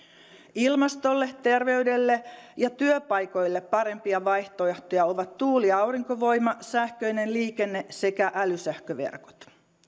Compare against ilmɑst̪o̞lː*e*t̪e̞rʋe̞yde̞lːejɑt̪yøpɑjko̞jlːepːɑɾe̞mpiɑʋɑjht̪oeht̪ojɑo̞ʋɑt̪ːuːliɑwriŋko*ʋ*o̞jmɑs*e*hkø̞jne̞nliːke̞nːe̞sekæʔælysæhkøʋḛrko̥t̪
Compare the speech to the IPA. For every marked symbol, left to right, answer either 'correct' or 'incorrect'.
correct, correct, incorrect: æ

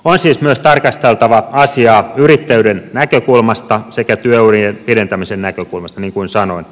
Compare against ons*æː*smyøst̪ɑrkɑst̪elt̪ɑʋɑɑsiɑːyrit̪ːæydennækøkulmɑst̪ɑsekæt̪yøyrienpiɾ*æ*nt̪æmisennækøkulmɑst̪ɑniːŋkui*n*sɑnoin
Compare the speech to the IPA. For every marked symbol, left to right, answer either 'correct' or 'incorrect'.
incorrect: iː, incorrect: e, correct

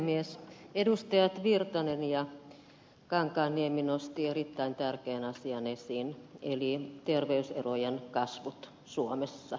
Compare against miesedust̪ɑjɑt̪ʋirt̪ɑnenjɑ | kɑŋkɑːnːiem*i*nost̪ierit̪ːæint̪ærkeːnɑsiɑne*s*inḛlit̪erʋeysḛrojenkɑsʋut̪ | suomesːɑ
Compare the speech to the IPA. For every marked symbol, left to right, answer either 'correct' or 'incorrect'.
correct, correct

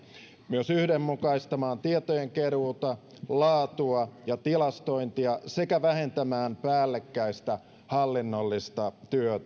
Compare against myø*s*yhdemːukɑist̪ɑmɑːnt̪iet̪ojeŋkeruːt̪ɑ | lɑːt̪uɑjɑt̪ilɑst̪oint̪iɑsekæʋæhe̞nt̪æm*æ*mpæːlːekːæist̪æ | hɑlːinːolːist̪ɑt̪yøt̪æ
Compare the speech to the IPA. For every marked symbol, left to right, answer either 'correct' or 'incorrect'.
correct, incorrect: æː

